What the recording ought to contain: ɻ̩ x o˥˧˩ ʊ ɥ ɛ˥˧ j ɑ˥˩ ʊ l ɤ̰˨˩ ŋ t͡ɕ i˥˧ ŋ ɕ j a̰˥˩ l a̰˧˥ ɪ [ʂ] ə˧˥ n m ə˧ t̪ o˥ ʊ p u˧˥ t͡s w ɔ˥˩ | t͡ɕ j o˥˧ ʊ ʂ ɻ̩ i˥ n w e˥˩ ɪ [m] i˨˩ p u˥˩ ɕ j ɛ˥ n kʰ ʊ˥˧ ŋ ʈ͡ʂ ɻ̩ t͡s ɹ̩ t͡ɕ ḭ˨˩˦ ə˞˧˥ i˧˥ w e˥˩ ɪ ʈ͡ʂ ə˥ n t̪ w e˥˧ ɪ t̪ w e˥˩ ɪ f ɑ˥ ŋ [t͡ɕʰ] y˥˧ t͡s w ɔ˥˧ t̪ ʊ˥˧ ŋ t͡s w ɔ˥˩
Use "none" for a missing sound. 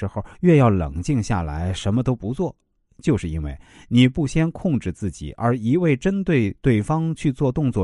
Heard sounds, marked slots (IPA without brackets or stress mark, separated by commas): ʂ, n, t͡ɕʰ